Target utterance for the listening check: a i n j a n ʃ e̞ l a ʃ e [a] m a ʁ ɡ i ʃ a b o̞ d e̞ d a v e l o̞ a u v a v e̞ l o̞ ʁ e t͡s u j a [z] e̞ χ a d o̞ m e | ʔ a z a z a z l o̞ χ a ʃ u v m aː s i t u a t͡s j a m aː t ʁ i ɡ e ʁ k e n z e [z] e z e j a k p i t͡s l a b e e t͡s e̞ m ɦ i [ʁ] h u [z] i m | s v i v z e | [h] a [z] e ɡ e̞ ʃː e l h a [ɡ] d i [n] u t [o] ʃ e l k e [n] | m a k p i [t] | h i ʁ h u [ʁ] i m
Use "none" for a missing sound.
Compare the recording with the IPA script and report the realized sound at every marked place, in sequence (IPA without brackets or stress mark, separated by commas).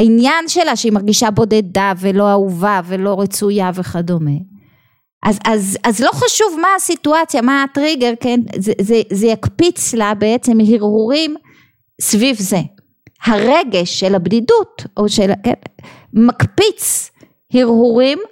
i, v, z, ʁ, ʁ, h, ʁ, b, d, o, n, t͡s, ʁ